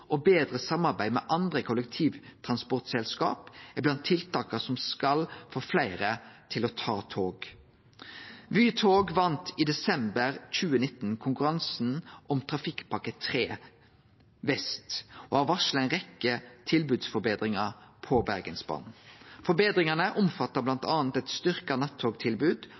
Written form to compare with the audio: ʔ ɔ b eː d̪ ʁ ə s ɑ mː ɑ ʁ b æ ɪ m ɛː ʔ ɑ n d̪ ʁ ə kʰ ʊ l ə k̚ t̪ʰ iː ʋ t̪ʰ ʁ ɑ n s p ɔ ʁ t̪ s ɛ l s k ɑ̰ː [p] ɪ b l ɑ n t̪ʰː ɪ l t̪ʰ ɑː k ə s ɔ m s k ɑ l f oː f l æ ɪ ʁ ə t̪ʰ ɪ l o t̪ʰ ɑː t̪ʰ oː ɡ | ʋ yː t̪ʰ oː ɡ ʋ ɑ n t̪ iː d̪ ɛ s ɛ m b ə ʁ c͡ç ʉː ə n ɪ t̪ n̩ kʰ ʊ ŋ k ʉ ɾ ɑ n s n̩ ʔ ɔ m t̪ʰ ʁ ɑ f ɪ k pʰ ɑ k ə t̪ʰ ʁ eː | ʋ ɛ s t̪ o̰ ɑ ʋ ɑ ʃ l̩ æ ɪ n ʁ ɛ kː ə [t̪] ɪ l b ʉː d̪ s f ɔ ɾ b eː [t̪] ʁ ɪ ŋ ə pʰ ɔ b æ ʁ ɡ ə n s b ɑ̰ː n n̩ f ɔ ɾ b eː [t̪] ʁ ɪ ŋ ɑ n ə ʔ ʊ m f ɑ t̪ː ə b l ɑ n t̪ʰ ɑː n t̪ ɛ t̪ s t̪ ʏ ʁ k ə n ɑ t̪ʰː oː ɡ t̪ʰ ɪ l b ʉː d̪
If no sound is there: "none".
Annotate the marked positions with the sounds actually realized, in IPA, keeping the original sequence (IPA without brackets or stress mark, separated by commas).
p, t̪ʰ, d̪, d̪